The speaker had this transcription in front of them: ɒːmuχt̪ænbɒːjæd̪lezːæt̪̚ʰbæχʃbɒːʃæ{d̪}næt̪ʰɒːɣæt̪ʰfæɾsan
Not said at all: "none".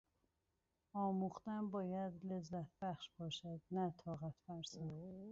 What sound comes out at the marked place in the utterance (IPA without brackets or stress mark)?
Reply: d̪